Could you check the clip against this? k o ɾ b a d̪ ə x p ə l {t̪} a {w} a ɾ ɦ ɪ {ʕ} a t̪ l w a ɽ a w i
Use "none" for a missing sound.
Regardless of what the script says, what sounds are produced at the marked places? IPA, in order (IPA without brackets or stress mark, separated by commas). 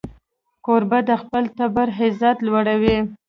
t̪, b, z